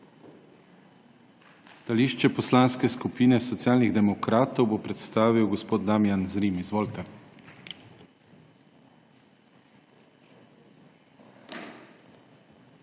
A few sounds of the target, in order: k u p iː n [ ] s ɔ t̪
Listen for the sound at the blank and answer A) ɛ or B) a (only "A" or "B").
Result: A